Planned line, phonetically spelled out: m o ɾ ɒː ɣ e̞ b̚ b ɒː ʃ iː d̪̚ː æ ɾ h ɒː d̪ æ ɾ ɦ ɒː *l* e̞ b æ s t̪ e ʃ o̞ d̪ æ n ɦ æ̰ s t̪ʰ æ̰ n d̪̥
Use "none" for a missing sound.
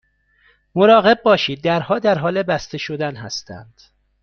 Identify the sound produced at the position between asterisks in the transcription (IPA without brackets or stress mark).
l